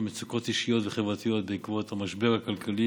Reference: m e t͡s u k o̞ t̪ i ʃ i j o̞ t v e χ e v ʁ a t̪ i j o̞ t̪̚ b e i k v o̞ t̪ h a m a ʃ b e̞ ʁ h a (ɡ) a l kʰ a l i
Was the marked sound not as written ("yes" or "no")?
yes